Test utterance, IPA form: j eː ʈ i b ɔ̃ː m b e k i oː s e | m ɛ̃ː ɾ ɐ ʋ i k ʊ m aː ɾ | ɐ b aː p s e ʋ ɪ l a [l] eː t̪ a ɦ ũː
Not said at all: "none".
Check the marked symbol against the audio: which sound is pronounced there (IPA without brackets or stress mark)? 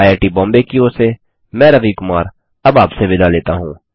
l